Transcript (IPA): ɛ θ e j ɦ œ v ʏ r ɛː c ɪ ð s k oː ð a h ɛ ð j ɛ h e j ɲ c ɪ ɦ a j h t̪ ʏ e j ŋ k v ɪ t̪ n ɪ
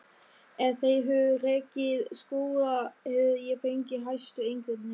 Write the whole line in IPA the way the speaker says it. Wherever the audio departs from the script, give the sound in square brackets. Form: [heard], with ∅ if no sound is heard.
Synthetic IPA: ɛ θ e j ɦ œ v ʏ r ɛː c ɪ ð s k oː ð a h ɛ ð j ɛ [f] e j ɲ c ɪ ɦ a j [s] t̪ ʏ e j ŋ k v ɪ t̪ n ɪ

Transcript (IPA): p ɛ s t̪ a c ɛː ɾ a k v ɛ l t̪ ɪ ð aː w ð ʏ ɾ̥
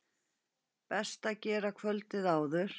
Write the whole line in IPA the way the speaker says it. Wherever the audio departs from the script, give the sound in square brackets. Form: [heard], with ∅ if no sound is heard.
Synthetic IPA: p ɛ s t̪ a c ɛː ɾ a [kʰ] v [œ] l t̪ ɪ ð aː w ð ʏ ɾ̥

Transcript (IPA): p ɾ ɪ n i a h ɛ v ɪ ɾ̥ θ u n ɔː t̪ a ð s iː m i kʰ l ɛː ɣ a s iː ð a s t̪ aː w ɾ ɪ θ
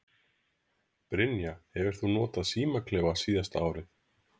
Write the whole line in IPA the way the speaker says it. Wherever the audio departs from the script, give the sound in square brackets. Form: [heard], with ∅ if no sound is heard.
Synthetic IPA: p ɾ ɪ n [j] a h ɛ v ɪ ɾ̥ θ u n ɔː t̪ a ð s iː m [a] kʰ l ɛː [v] a s iː ð a s t̪ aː w ɾ ɪ θ

